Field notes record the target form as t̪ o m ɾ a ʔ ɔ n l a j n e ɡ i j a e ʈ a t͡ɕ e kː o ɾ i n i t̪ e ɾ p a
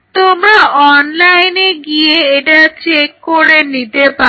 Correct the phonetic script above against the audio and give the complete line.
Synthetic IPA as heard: t̪ o m ɾ a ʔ ɔ n l a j n e ɡ i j e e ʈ a t͡ɕ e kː o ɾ e n i t̪ e p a